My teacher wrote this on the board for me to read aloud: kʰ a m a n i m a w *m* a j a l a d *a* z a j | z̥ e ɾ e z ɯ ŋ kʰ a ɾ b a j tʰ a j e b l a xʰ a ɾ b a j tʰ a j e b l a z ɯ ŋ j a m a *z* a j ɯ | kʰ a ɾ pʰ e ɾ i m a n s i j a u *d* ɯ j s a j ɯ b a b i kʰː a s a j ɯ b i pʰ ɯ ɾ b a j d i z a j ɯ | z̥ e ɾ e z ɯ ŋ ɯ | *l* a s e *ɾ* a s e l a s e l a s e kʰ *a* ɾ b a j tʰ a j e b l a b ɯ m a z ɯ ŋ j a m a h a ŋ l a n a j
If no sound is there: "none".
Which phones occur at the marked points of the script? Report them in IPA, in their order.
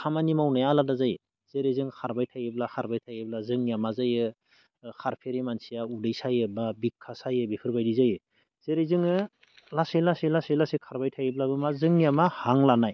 n, a, z, d, l, l, a

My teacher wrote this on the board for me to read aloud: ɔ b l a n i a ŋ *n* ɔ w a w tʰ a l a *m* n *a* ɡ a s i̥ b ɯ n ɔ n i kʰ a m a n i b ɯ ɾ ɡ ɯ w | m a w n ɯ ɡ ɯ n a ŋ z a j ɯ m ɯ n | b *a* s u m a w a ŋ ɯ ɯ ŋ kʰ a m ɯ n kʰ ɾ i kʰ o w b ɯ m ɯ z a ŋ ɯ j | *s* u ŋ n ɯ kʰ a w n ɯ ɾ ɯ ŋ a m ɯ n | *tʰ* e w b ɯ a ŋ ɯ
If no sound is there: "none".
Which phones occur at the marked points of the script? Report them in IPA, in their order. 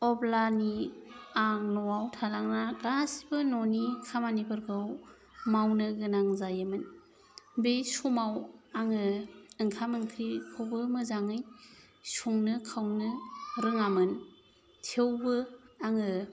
n, ŋ, a, e, s, tʰ

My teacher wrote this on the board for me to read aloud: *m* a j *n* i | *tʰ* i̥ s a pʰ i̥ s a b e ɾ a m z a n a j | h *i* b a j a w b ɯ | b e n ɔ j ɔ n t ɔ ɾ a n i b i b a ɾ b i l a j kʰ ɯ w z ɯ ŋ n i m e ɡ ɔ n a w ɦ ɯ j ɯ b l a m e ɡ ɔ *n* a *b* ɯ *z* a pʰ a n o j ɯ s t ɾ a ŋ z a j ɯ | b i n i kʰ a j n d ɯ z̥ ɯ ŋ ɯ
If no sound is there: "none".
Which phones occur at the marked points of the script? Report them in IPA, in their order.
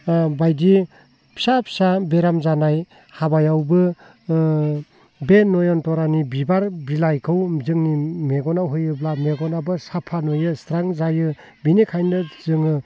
b, d, pʰ, a, n, b, s

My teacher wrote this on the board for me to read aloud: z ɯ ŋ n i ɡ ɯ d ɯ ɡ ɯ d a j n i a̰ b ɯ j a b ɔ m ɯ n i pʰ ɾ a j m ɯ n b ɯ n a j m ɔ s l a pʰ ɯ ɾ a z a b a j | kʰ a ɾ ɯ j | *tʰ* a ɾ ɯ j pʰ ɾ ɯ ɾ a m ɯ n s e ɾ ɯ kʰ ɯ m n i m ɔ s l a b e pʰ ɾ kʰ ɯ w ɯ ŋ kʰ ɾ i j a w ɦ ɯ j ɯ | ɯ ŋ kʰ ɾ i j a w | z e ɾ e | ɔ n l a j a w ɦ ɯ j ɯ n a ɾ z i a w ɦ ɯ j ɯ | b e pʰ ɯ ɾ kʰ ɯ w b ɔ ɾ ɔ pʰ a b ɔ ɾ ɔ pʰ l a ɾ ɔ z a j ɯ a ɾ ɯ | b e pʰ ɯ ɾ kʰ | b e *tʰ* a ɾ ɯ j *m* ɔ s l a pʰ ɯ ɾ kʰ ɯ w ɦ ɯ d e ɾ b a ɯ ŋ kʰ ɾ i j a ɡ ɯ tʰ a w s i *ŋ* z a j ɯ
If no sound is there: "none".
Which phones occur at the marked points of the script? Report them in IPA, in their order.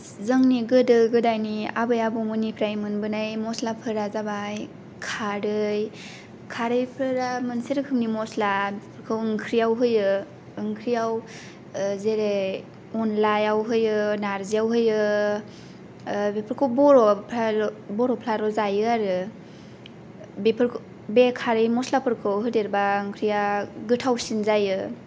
kʰ, kʰ, m, n

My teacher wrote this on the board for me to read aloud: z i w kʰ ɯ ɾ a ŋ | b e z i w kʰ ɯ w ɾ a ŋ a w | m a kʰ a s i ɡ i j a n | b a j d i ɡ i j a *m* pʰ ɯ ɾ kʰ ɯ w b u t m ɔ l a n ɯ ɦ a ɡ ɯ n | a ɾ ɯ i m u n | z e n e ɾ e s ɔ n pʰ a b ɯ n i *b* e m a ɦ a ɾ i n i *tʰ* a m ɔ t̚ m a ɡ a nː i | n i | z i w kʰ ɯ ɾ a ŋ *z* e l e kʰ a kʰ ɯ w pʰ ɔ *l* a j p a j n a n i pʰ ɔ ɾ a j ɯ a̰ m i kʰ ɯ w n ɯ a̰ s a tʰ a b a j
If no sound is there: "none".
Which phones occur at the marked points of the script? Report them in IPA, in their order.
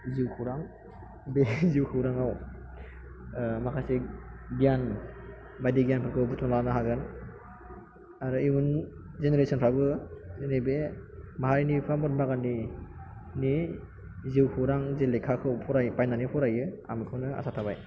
n, b, pʰ, z, ɾ

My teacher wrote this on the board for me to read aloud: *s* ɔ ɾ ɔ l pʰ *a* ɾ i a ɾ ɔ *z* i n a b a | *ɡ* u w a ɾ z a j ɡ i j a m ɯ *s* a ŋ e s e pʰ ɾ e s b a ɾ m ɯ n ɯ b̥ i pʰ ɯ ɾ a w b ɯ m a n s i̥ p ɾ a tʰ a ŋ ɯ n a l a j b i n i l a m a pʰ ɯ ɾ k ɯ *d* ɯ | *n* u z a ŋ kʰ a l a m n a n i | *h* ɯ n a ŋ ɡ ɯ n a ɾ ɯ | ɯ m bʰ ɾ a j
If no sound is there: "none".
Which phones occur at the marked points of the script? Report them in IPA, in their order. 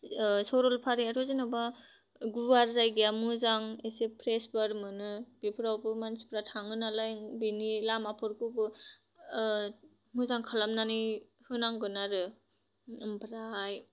s, a, z, ɡ, z, b, m, h

